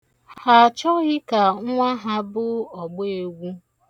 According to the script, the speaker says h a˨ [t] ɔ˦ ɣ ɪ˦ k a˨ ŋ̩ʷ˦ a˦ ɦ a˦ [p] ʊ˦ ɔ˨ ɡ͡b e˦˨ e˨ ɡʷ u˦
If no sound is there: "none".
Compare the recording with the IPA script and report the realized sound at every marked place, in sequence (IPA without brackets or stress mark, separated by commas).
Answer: t͡ʃ, b